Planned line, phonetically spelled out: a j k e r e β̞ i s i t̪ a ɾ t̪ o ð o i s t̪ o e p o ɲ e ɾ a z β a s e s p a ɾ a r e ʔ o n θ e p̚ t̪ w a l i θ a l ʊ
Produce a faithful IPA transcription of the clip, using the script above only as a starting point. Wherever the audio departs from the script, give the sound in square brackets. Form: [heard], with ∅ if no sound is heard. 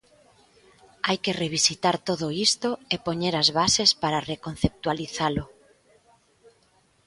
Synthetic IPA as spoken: a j k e r e β̞ i s i t̪ a ɾ t̪ o ð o i s t̪ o e p o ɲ e ɾ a z β a s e s p a ɾ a r e [k] o n θ e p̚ t̪ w a l i θ a l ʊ